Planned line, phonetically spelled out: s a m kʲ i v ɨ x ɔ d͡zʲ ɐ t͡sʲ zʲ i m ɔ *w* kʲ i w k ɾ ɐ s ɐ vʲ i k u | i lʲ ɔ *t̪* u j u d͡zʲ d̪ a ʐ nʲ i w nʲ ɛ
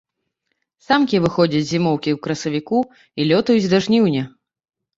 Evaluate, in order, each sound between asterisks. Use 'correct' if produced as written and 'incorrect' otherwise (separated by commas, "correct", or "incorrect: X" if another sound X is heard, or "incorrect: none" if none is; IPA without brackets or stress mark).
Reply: correct, correct